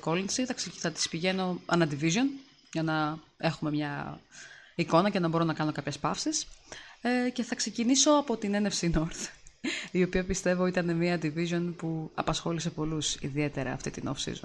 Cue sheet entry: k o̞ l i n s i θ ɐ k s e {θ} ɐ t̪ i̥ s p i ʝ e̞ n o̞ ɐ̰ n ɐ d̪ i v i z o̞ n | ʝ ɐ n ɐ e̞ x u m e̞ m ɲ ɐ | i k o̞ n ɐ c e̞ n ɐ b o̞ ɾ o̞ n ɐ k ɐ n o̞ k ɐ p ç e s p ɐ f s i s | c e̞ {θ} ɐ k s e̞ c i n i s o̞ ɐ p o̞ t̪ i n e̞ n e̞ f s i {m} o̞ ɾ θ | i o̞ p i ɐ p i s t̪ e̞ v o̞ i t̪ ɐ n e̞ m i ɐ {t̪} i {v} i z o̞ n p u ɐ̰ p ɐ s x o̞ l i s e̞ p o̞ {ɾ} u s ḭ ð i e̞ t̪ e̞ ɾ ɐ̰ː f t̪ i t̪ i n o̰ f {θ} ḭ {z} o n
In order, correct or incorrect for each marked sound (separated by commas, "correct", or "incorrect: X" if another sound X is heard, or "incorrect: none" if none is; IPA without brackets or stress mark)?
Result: correct, correct, incorrect: n, incorrect: d̪, correct, incorrect: l, incorrect: s, correct